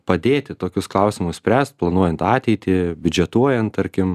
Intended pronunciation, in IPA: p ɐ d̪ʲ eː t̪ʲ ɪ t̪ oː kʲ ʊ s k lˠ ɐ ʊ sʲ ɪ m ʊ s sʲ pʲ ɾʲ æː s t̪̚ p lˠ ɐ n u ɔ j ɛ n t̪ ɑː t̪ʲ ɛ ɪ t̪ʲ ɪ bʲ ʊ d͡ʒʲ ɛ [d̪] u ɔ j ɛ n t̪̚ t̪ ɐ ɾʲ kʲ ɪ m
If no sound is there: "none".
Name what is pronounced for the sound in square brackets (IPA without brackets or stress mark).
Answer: t̪